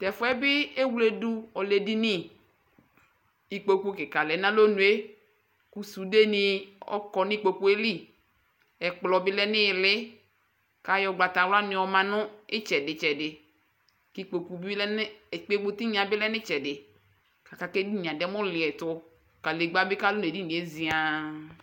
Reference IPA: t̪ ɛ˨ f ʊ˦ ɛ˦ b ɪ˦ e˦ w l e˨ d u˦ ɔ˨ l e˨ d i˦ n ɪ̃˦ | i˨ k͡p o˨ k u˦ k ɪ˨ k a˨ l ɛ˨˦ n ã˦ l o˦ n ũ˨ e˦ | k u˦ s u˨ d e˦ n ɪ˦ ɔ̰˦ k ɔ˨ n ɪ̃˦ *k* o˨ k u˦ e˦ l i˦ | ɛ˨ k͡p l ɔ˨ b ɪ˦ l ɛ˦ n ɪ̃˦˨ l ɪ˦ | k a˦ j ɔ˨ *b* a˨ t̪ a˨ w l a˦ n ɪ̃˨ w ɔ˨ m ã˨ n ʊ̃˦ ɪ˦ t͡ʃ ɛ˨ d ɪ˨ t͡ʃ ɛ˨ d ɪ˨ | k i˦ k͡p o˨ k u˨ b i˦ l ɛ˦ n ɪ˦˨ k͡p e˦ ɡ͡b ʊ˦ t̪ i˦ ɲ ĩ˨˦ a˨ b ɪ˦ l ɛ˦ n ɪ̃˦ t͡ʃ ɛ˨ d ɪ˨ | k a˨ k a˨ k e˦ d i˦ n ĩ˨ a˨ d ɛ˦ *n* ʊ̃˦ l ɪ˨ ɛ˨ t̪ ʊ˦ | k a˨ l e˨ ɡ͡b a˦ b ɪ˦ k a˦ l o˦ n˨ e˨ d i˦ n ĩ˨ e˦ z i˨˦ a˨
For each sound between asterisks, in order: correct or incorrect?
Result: incorrect, incorrect, incorrect

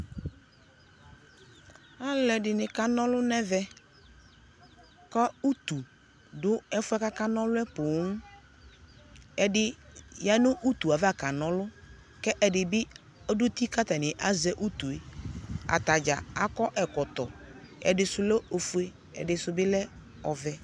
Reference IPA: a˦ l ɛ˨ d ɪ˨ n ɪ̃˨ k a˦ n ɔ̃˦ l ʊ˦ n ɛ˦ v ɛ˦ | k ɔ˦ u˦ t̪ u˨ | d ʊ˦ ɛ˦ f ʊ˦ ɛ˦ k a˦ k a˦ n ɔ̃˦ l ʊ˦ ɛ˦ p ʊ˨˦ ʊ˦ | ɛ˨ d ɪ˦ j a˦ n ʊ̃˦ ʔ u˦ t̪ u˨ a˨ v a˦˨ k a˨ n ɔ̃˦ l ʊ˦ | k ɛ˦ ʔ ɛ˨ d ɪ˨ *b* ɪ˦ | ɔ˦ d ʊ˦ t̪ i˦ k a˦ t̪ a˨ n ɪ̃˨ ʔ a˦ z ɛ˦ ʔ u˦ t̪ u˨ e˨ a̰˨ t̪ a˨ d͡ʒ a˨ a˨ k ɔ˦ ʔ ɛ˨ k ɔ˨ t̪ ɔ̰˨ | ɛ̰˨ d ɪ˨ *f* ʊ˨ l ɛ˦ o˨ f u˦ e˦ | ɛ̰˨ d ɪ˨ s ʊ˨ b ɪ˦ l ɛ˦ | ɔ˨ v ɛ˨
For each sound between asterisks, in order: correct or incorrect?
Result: correct, incorrect

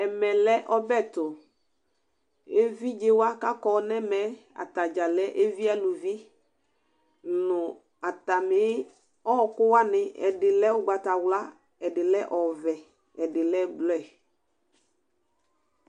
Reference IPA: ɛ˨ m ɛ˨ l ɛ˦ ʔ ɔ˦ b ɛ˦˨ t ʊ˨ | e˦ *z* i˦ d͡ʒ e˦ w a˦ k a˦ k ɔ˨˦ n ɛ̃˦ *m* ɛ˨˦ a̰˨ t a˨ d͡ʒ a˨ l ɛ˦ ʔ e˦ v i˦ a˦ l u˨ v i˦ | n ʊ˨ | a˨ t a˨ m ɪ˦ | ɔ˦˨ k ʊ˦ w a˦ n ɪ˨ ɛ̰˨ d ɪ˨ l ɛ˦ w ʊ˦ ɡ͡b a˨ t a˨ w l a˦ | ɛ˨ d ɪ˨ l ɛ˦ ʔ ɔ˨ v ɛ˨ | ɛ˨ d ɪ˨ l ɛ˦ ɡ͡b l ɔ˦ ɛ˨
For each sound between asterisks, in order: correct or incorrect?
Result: incorrect, correct

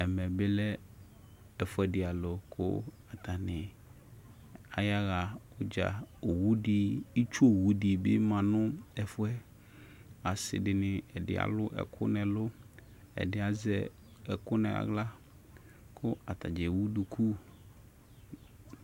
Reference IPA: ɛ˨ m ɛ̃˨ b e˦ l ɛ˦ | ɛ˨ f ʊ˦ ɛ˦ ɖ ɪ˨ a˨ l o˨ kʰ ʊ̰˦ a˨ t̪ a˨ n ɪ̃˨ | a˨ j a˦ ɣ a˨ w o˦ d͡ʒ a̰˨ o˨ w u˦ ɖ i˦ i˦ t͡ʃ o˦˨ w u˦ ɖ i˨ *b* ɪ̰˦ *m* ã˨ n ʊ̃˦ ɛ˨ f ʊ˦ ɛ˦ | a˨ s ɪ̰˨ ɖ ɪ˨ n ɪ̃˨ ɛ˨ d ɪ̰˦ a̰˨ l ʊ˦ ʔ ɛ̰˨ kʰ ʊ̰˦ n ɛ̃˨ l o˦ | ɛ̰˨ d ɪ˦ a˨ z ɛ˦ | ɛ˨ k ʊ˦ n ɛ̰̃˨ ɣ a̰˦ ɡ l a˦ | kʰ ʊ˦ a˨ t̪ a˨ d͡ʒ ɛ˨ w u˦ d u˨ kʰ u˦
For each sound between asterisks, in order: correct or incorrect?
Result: correct, correct

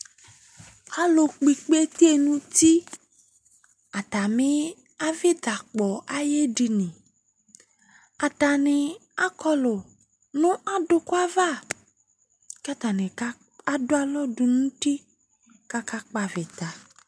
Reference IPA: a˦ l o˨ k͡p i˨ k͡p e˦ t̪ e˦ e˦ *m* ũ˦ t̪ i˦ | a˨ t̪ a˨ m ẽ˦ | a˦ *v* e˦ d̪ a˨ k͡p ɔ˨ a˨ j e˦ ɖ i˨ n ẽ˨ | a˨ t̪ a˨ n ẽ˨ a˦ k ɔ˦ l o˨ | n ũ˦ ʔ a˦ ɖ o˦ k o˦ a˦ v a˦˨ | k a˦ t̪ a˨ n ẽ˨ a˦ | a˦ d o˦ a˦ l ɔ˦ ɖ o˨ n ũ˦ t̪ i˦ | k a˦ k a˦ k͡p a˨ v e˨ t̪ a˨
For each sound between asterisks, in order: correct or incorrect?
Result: incorrect, correct

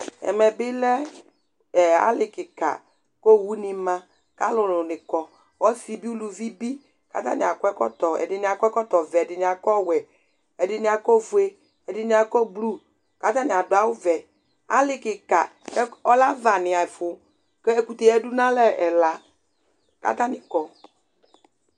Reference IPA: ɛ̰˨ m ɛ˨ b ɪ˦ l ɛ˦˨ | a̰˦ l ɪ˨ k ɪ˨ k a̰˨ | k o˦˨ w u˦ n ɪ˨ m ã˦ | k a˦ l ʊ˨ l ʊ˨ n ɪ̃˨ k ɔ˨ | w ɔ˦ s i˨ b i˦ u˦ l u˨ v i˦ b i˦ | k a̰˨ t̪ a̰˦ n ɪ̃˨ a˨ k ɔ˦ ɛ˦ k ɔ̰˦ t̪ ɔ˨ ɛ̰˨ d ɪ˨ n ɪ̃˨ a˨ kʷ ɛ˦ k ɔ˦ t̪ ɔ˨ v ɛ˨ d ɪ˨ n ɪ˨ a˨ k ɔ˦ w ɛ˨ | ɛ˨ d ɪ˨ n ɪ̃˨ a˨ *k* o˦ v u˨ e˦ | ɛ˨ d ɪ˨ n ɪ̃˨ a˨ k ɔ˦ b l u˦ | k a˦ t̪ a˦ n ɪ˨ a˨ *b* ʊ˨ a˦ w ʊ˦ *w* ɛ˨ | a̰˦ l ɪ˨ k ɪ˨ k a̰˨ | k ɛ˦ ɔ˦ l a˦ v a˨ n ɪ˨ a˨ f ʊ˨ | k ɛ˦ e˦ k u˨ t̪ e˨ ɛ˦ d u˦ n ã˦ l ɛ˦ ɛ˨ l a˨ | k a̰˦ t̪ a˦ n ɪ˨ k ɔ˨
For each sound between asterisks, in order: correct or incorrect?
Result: correct, incorrect, incorrect

